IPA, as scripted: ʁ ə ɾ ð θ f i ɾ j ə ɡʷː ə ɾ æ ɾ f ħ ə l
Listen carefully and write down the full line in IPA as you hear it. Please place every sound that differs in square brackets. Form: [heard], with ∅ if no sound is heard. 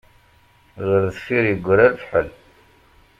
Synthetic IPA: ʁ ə ɾ ð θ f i ɾ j ə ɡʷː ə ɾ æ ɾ f ħ ə l